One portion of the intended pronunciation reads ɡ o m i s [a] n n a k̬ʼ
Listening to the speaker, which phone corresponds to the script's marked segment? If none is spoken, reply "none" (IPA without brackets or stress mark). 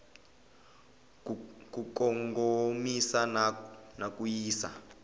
a